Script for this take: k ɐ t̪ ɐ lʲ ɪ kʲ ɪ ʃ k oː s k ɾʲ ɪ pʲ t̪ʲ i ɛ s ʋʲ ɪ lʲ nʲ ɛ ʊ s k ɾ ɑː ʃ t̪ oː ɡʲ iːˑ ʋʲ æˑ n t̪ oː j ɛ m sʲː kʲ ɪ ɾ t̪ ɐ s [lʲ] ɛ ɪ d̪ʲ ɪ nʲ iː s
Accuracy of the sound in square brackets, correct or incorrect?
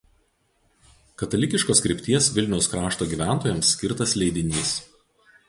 correct